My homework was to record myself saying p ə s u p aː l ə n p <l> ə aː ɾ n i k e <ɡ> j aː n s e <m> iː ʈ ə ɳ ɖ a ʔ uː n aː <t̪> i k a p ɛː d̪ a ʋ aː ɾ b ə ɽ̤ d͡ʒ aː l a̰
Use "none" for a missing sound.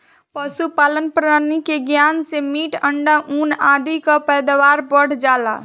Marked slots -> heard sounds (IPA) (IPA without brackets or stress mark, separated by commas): ɾ, ɡ, m, d̪